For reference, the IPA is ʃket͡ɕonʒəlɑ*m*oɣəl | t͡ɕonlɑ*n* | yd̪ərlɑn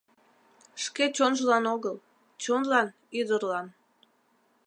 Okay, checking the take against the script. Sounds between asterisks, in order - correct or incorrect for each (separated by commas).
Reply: incorrect, correct